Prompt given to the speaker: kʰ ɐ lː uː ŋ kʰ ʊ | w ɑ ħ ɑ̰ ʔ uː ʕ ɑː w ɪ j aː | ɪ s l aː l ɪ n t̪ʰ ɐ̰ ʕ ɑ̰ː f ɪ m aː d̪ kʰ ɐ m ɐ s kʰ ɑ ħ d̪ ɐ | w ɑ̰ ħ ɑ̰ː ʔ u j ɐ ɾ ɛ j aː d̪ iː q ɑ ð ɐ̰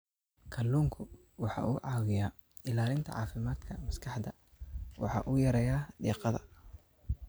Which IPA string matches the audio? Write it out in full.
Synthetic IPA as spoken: kʰ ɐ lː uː ŋ kʰ ʊ | w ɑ ħ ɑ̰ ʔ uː ʕ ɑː w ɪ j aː | ɪ l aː l ɪ n t̪ʰ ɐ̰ ʕ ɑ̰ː f ɪ m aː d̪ kʰ ɐ m ɐ s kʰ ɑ ħ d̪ ɐ | w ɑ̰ ħ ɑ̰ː ʔ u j ɐ ɾ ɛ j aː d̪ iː q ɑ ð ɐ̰